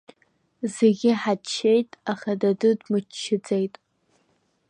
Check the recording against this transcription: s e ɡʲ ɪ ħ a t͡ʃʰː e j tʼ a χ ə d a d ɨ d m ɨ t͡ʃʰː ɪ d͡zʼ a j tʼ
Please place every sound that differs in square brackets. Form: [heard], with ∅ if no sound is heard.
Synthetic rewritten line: [z] e ɡʲ ɪ ħ a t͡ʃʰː e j tʼ a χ [a] d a d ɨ d m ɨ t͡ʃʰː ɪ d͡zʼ [e] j tʼ